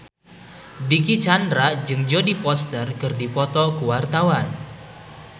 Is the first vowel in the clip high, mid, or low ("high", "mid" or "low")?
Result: high